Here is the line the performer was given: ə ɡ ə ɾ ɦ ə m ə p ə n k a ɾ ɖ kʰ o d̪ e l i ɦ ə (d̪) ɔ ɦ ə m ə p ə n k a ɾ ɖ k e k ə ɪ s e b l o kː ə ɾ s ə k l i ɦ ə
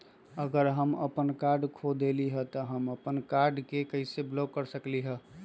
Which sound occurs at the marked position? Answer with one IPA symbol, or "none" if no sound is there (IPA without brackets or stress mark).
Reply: t̪